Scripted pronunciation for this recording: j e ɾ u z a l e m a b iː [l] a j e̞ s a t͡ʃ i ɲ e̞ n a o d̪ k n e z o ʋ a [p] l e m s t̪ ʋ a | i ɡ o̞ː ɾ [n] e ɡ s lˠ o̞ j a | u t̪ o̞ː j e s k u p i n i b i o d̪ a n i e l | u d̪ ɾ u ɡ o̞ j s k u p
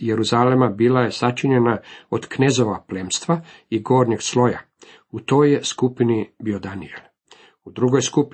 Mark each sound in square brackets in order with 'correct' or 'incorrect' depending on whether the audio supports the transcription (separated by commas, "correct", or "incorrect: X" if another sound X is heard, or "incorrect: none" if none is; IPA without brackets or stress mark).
correct, correct, incorrect: ɲ